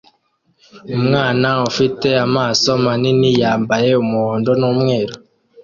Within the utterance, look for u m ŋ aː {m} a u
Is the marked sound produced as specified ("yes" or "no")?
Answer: no